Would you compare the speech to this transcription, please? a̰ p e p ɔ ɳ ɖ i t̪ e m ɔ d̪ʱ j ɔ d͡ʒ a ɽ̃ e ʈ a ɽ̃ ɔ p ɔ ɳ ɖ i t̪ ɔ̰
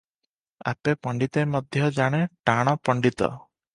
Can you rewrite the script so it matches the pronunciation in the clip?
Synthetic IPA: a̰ p e p ɔ ɳ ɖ i t̪ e m ɔ d̪ʱ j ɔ d͡ʒ a ɽ̃ e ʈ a ɽ̃ ɔ p ɔ ɳ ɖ i t̪ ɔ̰